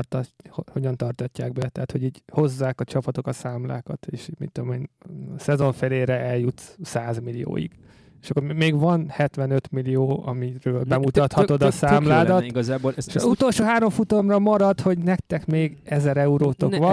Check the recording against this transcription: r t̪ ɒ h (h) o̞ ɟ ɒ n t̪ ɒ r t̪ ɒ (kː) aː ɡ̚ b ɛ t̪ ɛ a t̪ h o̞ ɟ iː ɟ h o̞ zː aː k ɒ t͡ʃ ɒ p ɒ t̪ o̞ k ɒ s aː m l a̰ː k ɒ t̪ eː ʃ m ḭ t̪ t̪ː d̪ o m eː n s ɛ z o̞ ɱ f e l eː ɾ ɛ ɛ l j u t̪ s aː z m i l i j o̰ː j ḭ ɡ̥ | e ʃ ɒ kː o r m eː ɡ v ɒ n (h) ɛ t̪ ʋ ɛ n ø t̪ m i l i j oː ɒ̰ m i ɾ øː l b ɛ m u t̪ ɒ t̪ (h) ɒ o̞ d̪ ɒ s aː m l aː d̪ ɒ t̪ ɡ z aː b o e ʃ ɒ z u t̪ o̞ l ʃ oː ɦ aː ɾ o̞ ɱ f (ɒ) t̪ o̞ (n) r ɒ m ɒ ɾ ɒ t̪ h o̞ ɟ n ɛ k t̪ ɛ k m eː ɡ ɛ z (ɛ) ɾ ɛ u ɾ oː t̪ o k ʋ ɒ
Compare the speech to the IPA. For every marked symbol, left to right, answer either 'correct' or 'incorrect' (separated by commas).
correct, incorrect, correct, correct, incorrect, incorrect, correct